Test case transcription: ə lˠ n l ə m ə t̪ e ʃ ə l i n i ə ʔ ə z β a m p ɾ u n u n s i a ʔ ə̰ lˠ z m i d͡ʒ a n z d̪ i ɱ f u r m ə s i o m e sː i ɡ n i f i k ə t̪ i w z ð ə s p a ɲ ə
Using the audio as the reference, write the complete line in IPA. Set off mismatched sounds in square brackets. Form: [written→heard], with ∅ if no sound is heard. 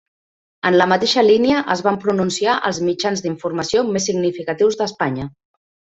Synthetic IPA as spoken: ə [lˠ→∅] n l ə m ə t̪ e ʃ ə l i n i ə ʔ ə z β a m p ɾ u n u n s i a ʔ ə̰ lˠ z m i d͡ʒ a n z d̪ i ɱ f u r m ə s i o m e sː i ɡ n i f i k ə t̪ i w z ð ə s p a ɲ ə